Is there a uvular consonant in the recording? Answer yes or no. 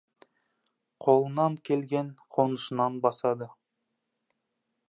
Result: yes